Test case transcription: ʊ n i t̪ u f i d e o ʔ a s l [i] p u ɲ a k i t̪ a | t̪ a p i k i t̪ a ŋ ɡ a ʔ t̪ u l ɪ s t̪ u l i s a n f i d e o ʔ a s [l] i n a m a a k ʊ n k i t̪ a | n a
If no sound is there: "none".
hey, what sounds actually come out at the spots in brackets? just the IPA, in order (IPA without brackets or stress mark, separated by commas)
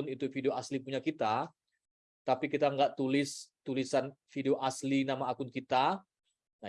i, l